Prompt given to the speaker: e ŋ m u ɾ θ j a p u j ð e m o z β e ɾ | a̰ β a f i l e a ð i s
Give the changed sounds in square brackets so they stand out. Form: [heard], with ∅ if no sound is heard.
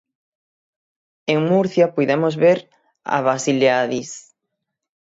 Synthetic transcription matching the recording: e ŋ m u ɾ θ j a p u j ð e m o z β e ɾ | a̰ β a [s] i l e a ð i s